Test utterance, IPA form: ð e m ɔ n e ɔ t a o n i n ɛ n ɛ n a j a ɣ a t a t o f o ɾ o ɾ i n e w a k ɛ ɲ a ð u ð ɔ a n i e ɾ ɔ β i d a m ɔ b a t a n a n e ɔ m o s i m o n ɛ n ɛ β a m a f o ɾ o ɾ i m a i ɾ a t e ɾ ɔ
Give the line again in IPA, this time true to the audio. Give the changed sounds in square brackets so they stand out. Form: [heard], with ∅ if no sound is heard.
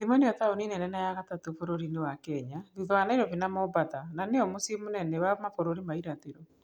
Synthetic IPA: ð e m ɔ n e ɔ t a o n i n ɛ n ɛ n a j a ɣ a t a t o f o ɾ o ɾ i n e w a k ɛ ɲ a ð u ð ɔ a n [a] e ɾ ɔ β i [n] a m ɔ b a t a n a n e ɔ m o s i m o n ɛ n ɛ [w] a m a f o ɾ o ɾ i m a i ɾ a t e ɾ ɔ